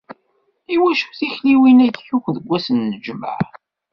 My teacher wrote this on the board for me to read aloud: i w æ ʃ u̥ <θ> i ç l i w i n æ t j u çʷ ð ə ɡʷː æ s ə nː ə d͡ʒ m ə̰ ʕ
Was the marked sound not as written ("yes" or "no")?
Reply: no